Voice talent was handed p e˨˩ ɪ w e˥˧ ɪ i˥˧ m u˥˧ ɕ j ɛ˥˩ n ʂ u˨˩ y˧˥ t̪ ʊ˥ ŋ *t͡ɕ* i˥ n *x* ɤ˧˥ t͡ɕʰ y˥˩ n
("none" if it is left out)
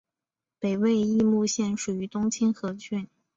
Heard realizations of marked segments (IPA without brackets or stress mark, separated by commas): t͡ɕʰ, x